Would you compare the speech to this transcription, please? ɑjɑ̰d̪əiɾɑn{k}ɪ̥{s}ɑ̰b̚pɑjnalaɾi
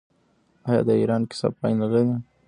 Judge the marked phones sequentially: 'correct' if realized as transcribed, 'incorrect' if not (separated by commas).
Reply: correct, correct